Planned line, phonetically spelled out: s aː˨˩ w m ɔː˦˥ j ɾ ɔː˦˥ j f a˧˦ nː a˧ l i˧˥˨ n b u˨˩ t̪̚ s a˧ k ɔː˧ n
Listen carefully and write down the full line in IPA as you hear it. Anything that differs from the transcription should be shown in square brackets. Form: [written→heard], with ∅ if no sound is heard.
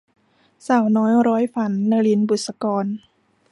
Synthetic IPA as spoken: s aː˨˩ w [m→n] ɔː˦˥ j ɾ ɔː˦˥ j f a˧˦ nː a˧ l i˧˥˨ n b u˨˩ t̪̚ s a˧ k ɔː˧ n